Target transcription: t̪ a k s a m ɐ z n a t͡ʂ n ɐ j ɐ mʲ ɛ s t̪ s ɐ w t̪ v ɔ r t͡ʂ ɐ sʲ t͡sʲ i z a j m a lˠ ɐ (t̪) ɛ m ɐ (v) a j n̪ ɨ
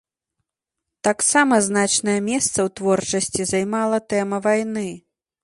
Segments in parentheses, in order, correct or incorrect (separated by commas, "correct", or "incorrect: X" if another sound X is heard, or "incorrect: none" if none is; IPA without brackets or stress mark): correct, correct